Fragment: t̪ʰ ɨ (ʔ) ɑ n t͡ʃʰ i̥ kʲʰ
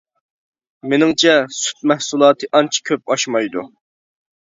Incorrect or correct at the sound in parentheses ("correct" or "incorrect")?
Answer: correct